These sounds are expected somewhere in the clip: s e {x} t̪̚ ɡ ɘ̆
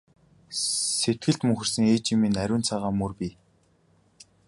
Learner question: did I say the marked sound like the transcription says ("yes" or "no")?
no